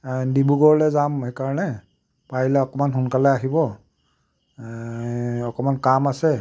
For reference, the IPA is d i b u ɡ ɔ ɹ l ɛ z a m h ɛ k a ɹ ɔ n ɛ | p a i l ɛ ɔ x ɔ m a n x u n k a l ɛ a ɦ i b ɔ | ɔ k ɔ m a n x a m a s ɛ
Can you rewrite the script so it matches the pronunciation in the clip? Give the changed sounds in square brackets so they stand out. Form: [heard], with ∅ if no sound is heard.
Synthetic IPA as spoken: d i b u ɡ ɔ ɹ l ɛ z a m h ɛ k a ɹ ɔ n ɛ | p a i l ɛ ɔ [k] ɔ m a n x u n k a l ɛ a ɦ i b ɔ | ɔ k ɔ m a n [k] a m a s ɛ